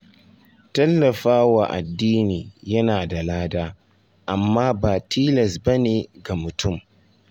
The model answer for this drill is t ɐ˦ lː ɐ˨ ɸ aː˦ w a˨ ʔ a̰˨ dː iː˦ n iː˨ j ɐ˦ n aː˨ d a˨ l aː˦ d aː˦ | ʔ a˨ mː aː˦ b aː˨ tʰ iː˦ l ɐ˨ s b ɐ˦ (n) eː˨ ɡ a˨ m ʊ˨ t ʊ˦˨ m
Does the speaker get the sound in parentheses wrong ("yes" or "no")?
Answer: no